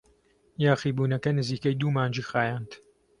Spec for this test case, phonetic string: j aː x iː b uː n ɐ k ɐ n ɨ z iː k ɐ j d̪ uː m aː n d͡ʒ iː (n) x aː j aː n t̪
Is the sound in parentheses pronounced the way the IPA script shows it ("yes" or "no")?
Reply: no